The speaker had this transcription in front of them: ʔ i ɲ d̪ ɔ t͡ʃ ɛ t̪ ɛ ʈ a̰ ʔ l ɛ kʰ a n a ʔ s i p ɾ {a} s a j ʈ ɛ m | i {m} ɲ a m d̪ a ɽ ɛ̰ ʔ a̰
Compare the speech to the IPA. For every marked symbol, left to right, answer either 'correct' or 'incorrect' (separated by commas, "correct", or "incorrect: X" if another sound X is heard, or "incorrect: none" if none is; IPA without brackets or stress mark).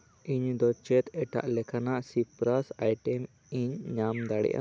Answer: correct, incorrect: ɲ